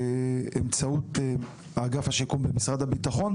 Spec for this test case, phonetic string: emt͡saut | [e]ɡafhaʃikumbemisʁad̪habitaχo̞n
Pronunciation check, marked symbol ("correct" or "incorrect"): incorrect